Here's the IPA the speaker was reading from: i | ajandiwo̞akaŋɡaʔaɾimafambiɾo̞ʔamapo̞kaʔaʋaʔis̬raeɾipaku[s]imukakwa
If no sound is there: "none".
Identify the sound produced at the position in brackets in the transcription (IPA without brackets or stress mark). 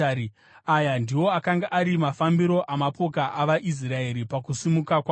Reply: s